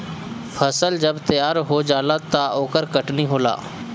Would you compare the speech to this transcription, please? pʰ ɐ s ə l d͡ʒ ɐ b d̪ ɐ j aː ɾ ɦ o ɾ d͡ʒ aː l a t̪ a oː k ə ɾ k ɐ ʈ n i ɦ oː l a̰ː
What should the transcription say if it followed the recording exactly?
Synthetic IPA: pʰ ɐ s ə l d͡ʒ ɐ b t̪ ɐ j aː ɾ ɦ o d͡ʒ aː l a t̪ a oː k ə ɾ k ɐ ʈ n i ɦ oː l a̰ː